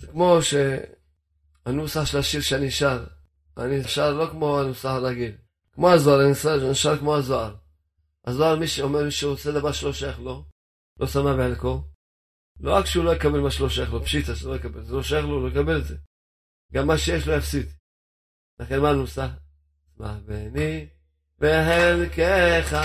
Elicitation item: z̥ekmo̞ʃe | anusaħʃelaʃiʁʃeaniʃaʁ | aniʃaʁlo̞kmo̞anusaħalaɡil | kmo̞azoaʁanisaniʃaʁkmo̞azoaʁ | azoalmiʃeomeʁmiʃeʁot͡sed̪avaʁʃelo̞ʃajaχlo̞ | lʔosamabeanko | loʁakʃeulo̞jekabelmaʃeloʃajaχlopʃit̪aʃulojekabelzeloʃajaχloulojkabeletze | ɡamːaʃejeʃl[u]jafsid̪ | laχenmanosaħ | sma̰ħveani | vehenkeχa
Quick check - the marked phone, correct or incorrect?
incorrect